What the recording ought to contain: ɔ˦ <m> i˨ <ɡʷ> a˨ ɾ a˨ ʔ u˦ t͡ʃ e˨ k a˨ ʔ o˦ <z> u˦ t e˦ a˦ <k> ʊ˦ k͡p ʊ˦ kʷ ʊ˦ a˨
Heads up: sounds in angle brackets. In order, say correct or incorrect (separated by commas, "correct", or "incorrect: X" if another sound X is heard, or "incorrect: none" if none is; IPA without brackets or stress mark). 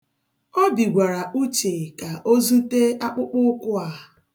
incorrect: b, correct, correct, incorrect: k͡p